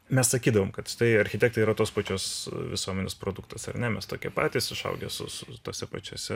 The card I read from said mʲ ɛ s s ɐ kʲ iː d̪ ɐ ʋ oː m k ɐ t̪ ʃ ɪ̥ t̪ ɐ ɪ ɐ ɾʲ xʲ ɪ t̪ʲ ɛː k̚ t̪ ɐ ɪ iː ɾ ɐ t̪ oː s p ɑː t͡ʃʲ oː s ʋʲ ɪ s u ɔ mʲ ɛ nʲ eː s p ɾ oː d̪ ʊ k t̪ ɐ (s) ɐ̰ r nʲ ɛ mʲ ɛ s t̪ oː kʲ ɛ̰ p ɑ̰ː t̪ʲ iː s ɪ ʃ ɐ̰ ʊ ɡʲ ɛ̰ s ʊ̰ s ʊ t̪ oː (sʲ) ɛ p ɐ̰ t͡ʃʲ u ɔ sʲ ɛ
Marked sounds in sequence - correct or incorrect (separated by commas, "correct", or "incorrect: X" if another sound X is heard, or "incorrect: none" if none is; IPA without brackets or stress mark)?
correct, correct